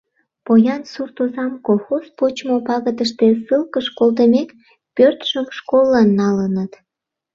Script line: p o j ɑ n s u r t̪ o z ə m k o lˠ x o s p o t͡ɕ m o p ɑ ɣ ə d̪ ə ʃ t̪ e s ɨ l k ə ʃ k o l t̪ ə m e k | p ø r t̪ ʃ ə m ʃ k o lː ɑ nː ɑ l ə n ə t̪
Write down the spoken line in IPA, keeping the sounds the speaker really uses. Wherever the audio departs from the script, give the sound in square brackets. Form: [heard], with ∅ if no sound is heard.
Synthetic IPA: p o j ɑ n s u r t̪ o z [ɑ] m k o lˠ x o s p o t͡ɕ m o p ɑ ɣ ə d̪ ə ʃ t̪ e s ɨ l k ə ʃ k o l t̪ ə m e k | p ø r t̪ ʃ ə m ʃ k o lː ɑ nː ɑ l ə n ə t̪